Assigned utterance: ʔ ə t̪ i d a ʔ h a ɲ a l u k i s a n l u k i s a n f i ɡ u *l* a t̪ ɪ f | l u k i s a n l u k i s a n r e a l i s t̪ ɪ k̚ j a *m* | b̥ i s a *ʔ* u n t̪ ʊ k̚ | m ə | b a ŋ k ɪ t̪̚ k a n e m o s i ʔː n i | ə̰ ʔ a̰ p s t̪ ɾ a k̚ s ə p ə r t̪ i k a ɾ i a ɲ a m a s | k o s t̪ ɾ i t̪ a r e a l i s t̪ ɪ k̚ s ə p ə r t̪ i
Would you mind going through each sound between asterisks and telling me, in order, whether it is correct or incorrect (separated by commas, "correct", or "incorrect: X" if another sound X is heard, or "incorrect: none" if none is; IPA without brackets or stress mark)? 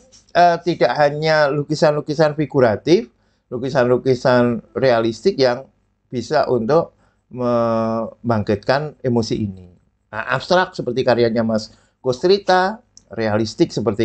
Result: incorrect: ɾ, incorrect: ŋ, correct